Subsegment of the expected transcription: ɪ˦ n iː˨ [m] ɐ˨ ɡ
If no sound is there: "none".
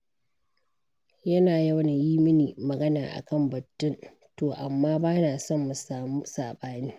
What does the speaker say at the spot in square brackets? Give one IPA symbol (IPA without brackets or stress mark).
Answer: m